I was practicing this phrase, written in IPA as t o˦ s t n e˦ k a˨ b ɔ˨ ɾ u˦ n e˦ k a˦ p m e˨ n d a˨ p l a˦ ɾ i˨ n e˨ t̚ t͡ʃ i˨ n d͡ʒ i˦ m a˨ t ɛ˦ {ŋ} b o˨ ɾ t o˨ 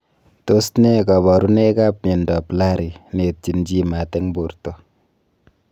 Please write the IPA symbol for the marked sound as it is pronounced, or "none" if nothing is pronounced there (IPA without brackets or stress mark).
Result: ŋ